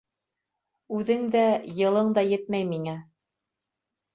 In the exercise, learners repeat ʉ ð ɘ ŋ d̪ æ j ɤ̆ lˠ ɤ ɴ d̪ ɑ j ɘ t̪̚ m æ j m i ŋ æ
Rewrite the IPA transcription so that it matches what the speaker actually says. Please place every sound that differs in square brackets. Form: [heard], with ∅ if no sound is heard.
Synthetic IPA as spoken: ʉ ð ɘ ŋ d̪ æ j ɤ̆ lˠ ɤ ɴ d̪ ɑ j ɘ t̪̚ m æ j m i ŋ æ

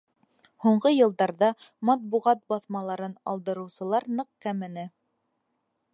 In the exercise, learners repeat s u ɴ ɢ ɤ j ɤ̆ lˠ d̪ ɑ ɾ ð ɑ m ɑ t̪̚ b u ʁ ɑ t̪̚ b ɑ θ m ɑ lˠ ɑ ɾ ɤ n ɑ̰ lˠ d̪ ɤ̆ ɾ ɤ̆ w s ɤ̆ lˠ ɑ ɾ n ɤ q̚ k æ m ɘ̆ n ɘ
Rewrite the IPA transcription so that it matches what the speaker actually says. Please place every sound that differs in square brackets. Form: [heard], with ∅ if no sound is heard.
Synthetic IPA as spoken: [h] u ɴ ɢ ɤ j ɤ̆ lˠ d̪ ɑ ɾ ð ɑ m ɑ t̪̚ b u ʁ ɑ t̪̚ b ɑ θ m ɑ lˠ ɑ ɾ ɤ n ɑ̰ lˠ d̪ ɤ̆ ɾ ɤ̆ w s ɤ̆ lˠ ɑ ɾ n ɤ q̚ k æ m ɘ̆ n ɘ

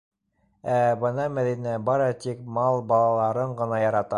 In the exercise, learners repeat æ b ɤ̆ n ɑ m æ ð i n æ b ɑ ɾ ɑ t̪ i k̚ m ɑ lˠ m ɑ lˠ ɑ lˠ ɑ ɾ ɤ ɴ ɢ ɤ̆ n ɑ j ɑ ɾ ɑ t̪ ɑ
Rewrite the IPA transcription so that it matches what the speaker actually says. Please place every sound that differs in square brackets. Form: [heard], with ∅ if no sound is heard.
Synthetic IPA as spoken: æ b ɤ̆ n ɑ m æ ð i n æ b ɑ ɾ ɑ t̪ i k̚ m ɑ lˠ [b] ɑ lˠ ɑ lˠ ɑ ɾ ɤ ɴ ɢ ɤ̆ n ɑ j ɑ ɾ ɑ t̪ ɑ

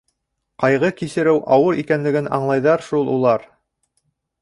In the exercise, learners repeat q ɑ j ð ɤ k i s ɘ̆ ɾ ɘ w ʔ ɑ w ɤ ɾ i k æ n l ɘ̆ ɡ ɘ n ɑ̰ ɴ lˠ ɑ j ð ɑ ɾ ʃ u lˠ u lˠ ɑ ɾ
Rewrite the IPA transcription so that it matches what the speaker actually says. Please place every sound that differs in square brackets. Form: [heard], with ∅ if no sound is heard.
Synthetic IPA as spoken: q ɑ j [ʁ] ɤ k i s ɘ̆ ɾ ɘ w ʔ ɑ w ɤ ɾ i k æ n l ɘ̆ ɡ ɘ n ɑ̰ ɴ lˠ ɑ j ð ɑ ɾ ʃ u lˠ u lˠ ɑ ɾ

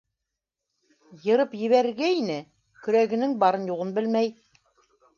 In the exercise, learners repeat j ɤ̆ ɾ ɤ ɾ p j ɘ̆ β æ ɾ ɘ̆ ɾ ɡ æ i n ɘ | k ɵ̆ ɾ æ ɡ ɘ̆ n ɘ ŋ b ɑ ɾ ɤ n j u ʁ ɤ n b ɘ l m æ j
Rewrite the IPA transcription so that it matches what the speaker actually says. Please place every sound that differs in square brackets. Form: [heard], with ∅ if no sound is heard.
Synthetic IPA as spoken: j ɤ̆ ɾ ɤ [∅] p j ɘ̆ β æ ɾ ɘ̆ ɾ ɡ æ i n ɘ | k ɵ̆ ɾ æ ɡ ɘ̆ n ɘ ŋ b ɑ ɾ ɤ n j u ʁ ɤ n b ɘ l m æ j

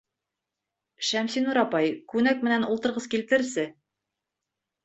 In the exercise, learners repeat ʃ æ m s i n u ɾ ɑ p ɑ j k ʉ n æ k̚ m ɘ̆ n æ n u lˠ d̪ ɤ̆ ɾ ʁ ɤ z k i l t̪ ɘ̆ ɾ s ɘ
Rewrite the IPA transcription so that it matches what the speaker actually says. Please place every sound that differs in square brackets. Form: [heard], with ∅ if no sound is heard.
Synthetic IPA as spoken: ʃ æ m s i n u ɾ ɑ p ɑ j k ʉ n æ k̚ m ɘ̆ n æ n u lˠ [t̪] ɤ̆ ɾ ʁ ɤ z k i l t̪ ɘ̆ ɾ s ɘ

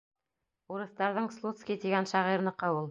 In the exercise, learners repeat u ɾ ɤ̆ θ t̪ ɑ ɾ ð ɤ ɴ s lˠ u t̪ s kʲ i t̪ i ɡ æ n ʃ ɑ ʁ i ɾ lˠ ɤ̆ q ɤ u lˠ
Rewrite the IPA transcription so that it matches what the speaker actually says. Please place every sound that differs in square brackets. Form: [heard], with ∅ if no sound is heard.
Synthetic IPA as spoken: u ɾ ɤ̆ θ t̪ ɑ ɾ ð ɤ ɴ s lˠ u t̪ s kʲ i t̪ i ɡ æ n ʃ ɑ ʁ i ɾ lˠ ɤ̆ q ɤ u lˠ

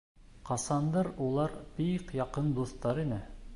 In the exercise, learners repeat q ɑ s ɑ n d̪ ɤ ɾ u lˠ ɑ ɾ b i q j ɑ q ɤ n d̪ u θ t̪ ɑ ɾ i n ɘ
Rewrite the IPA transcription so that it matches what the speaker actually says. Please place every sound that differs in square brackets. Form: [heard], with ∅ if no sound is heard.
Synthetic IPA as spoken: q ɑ s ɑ n d̪ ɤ ɾ u lˠ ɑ ɾ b i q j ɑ q ɤ n d̪ u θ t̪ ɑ ɾ i n ɘ

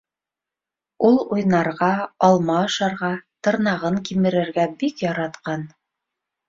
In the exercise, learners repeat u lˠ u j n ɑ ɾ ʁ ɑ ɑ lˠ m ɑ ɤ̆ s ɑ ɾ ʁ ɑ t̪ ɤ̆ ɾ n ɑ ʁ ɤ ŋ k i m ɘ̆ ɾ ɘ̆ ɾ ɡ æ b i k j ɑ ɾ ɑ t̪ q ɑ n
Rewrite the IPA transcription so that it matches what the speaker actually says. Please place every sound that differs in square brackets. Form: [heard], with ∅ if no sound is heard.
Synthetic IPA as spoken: u lˠ u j n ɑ ɾ ʁ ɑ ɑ lˠ m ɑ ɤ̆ [ʃ] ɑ ɾ ʁ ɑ t̪ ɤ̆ ɾ n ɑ ʁ ɤ ŋ k i m ɘ̆ ɾ ɘ̆ ɾ ɡ æ b i k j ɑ ɾ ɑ t̪ q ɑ n

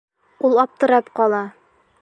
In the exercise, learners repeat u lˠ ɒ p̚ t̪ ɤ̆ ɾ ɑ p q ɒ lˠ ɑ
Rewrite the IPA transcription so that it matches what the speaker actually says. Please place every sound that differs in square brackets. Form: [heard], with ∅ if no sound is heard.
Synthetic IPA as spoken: u lˠ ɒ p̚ t̪ ɤ̆ ɾ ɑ p q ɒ lˠ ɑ

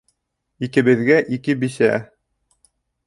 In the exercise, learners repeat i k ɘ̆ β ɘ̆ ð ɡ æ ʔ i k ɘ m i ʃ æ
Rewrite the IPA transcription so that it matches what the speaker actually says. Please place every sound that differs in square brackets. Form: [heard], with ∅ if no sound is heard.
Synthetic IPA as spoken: i k ɘ̆ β ɘ̆ ð ɡ æ ʔ i k ɘ [b] i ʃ æ

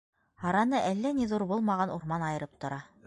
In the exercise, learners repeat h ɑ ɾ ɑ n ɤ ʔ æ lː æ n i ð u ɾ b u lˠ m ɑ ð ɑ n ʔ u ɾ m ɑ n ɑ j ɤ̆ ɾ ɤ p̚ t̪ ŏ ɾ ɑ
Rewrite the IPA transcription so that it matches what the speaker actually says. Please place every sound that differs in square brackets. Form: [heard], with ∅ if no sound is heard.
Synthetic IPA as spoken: h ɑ ɾ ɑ n ɤ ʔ æ lː æ n i ð u ɾ b u lˠ m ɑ [ʁ] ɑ n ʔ u ɾ m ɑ n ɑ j ɤ̆ ɾ ɤ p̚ t̪ ŏ ɾ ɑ

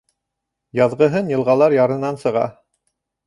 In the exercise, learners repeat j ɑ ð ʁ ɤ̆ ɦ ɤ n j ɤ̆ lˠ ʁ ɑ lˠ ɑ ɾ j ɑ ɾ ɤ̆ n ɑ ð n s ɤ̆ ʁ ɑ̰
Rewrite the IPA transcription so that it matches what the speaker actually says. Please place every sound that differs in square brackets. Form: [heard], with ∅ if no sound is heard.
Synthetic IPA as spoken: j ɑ ð ʁ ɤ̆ ɦ ɤ n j ɤ̆ lˠ ʁ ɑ lˠ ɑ ɾ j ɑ ɾ ɤ̆ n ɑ [∅] n s ɤ̆ ʁ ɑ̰

